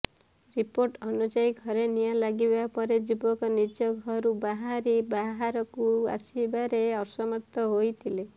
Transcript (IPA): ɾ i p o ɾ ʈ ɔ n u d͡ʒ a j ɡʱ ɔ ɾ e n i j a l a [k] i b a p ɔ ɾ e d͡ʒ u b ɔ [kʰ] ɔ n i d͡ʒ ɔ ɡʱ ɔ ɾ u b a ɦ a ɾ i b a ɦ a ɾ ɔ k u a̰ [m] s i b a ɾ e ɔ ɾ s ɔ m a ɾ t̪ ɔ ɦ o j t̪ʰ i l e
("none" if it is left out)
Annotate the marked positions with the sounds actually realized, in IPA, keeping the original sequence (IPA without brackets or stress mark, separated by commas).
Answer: ɡ, k, none